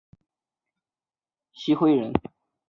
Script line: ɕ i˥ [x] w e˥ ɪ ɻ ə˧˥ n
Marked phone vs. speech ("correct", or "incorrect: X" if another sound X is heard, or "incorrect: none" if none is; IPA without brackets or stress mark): correct